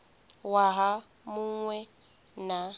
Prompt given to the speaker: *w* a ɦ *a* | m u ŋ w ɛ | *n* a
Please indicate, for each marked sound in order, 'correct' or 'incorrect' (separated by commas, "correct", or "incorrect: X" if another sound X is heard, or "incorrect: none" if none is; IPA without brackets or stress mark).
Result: correct, correct, correct